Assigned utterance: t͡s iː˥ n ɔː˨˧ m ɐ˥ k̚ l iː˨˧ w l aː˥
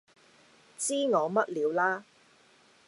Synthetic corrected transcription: t͡s iː˥ ŋ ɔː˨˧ m ɐ˥ t̚ l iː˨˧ w l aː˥

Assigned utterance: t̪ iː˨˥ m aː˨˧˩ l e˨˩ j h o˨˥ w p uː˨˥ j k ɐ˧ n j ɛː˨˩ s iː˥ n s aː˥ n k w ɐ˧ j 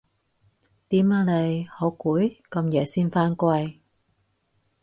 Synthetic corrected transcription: t̪ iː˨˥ m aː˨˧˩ l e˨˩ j h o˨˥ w k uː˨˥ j k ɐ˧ m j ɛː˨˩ s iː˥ n f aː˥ n k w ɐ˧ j

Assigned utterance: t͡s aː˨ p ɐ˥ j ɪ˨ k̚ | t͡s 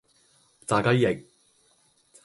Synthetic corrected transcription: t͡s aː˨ k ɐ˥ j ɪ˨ k̚ | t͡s

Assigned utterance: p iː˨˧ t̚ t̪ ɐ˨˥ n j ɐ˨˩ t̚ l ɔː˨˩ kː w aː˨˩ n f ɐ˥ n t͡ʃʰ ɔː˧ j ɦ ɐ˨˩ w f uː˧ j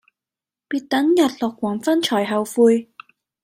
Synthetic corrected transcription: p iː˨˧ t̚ t̪ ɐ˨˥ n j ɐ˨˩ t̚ l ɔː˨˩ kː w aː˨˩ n f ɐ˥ n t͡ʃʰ ɔː˨˩ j ɦ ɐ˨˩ w f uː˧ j

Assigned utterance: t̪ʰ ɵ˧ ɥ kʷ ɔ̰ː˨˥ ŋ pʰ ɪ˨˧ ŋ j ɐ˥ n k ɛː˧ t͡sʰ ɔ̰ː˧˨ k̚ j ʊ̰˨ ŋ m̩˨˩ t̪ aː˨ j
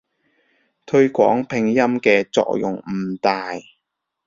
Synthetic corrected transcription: t̪ʰ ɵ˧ ɥ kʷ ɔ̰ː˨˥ ŋ pʰ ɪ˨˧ ŋ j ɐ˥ m k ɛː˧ t͡s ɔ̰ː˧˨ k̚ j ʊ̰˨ ŋ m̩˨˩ t̪ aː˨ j

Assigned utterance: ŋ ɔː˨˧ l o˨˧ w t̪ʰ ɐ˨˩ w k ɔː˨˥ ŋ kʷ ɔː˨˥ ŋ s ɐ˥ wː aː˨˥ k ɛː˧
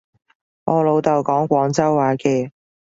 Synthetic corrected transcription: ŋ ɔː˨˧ l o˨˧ w t̪ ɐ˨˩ w k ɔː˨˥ ŋ kʷ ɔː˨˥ ŋ t͡s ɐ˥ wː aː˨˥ k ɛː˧

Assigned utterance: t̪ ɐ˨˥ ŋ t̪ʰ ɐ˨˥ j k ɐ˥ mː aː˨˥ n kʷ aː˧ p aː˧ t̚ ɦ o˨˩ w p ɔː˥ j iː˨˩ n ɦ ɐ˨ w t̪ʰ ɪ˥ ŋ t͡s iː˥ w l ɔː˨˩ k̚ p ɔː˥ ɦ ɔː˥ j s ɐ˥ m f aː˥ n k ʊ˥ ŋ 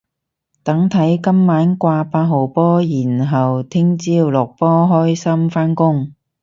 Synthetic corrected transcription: t̪ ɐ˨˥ ŋ t̪ʰ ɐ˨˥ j k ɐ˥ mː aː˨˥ n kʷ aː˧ p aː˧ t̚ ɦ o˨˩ w p ɔː˥ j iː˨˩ n ɦ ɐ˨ w t̪ʰ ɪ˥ ŋ t͡s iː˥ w l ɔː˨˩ k̚ p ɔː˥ ɦ ɔː˥ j s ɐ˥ m f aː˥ n k ʊ˥ ŋ

